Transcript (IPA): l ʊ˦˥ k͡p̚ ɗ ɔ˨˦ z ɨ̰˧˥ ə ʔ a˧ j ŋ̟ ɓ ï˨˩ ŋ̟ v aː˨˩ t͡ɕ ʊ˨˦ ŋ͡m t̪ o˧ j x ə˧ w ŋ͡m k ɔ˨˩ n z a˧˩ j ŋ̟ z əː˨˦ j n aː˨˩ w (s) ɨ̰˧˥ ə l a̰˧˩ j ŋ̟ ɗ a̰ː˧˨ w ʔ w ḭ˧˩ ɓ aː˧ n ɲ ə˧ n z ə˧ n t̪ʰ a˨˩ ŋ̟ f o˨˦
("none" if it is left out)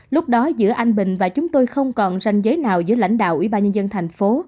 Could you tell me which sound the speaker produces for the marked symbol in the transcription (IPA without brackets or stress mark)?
z